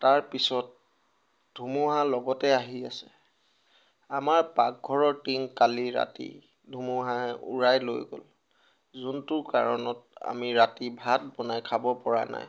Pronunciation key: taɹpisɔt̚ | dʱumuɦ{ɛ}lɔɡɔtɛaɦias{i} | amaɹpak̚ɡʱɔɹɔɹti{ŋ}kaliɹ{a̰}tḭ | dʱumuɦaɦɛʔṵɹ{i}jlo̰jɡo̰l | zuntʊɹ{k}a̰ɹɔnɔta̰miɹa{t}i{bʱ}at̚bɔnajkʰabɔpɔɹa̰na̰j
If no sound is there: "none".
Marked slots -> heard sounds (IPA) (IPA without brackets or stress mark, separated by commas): a, ɛ, ŋ, a̰, a, k, t, bʱ